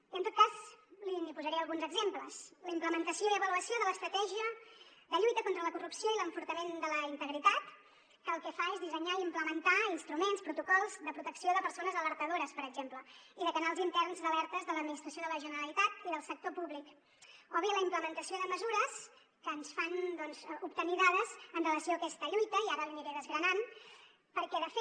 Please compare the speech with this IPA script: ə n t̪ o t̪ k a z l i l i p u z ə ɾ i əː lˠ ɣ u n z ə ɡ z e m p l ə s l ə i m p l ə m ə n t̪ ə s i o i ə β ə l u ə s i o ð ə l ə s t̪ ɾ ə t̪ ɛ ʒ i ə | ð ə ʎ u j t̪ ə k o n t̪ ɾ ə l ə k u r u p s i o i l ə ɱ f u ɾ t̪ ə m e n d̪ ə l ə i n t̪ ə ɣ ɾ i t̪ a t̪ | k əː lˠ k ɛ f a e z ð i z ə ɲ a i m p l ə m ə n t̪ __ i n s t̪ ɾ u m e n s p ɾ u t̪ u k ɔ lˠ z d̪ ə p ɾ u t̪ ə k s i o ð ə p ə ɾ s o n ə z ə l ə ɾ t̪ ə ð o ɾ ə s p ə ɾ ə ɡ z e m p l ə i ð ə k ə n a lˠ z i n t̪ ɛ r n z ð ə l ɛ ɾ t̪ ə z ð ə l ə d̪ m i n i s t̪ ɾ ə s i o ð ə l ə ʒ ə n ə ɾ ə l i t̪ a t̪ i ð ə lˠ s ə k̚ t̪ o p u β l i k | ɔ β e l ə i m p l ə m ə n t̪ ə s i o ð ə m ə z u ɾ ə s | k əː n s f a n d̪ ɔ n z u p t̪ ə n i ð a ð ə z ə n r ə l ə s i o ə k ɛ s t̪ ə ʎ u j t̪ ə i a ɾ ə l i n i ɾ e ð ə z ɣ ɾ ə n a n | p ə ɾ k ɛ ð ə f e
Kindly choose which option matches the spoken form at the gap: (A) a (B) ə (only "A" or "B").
A